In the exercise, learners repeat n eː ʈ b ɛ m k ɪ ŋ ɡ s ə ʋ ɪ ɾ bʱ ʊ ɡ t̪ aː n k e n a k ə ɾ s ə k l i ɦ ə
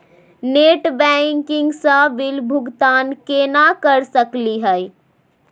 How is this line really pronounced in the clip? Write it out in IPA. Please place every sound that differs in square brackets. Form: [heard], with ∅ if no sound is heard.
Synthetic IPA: n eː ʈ b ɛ [ŋ] k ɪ ŋ ɡ s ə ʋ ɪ [l] bʱ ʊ ɡ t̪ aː n k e n a k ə ɾ s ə k l i ɦ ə